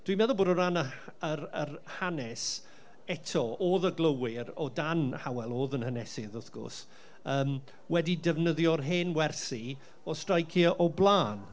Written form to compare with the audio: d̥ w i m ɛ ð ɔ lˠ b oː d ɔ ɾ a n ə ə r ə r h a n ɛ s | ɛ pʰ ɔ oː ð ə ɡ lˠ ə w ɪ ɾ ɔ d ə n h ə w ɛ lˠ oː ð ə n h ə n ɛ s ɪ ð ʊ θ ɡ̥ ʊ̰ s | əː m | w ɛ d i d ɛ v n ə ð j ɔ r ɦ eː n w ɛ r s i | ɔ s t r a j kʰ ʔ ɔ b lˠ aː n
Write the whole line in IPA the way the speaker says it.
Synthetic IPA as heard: d̥ w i m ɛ ð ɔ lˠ b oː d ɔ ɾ a n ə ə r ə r h a n ɛ s | ɛ tʰ ɔ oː ð ə ɡ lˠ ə w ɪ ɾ ɔ d a n h a w ɛ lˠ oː ð ə n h ə n ɛ s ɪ ð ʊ θ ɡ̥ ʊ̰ s | əː m | w ɛ d i d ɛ v n ə ð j ɔ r ɦ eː n w ɛ r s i | ɔ s t r a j kʰ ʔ ɔ b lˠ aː n